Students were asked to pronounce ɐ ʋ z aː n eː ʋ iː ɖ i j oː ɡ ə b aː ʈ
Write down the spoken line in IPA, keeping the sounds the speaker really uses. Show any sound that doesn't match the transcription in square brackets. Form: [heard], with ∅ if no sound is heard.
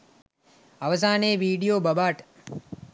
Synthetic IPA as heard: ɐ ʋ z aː n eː ʋ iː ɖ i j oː [b] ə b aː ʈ